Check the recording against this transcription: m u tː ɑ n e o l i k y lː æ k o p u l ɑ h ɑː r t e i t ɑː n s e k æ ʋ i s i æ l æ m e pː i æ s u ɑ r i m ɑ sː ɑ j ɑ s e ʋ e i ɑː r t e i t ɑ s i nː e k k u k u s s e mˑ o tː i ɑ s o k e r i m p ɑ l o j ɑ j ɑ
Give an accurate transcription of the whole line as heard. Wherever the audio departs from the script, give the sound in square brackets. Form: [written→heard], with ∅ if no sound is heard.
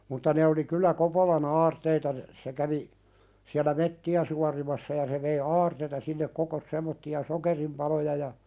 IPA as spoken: m u tː ɑ n e o l i k y lː æ k o p [u→o] l ɑ h ɑː r t e i t [ɑː→ɑ] n s e k æ ʋ i s i æ l æ m e [pː→tː] i æ s u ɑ r i m ɑ sː ɑ j ɑ s e ʋ e i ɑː r t e i t ɑ s i nː e k k [u→o] k [u→o] s s e mˑ o tː i ɑ s o k e r i m p ɑ l o j ɑ j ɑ